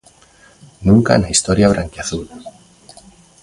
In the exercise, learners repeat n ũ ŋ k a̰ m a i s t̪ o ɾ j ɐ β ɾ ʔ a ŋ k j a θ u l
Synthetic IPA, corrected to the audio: n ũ ŋ k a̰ n a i s t̪ o ɾ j a β ɾ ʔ a ŋ k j a θ u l